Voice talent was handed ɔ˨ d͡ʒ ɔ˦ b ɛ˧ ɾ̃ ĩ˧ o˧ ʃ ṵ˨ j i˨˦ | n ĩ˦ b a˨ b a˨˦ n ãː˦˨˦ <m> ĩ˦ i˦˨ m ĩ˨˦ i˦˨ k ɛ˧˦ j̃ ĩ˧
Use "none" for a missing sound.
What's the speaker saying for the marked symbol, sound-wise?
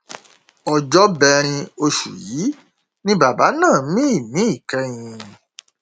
m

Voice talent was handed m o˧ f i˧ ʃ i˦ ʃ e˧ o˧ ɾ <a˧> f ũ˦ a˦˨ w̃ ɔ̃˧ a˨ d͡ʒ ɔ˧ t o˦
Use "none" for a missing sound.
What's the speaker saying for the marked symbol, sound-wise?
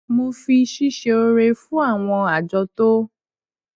e˧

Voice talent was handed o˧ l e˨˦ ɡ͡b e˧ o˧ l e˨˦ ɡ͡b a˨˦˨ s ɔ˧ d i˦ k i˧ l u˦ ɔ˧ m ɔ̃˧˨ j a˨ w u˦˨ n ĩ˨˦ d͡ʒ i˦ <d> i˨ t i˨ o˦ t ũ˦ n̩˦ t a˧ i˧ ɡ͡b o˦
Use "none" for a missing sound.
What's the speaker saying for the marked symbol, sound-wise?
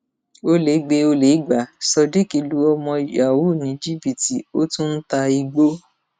b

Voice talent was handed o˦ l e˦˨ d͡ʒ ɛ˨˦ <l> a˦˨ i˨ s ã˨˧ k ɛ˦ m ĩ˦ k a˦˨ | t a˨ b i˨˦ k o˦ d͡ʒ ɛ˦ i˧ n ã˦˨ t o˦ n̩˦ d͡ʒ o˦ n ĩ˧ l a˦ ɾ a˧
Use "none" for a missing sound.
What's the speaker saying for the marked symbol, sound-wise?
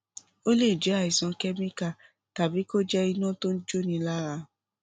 none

